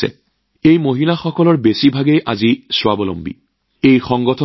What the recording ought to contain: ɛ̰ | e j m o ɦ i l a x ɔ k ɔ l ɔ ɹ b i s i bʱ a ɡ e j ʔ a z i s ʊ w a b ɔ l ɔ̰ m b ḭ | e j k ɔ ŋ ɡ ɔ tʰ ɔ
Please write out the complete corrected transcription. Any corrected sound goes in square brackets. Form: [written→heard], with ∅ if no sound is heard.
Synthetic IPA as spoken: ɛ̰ | e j m o ɦ i l a x ɔ k ɔ l ɔ ɹ b [i→e] s i bʱ a ɡ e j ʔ a z i s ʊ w a b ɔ l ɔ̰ m b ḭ | e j [k→x] ɔ ŋ ɡ ɔ tʰ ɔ